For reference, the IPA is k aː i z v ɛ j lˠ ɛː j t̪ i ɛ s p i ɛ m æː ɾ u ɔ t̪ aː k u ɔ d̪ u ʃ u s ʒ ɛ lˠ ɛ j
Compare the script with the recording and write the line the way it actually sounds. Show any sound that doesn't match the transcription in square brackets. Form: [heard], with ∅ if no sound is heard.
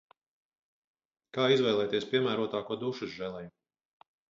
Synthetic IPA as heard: k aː i z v ɛ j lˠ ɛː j t̪ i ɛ s p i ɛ m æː ɾ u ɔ t̪ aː k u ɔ d̪ u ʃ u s ʒ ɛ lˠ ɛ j